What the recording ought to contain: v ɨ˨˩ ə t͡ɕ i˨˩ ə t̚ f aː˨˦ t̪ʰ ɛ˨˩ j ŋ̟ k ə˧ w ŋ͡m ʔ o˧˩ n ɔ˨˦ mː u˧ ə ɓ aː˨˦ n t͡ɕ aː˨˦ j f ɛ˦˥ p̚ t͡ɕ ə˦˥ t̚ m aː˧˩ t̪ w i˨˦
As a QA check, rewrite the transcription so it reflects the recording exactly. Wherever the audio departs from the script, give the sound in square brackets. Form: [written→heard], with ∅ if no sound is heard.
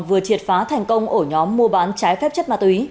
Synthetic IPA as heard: v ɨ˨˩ ə t͡ɕ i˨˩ ə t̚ f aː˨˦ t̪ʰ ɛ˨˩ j ŋ̟ k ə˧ w ŋ͡m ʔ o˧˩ [n→ɲ] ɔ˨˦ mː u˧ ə ɓ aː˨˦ n t͡ɕ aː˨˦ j f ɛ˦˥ p̚ t͡ɕ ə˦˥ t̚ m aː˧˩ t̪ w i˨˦